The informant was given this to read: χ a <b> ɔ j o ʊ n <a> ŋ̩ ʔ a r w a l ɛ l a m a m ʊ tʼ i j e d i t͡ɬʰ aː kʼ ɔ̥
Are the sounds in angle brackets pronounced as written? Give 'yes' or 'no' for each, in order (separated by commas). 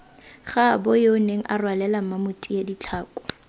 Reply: yes, no